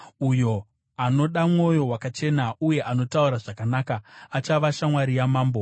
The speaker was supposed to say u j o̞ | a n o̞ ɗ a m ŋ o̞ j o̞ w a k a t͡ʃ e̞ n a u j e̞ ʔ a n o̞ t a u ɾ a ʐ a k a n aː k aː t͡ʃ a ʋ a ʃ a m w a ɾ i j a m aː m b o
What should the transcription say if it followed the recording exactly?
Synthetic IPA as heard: u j o̞ | a n o̞ ɗ a m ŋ o̞ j o̞ w a k a t͡ʃ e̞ n a u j e̞ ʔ a n o̞ t a u ɾ a ʐ a k a n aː k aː t͡ʃ a ʋ a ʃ a m w a ɾ i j a m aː m b o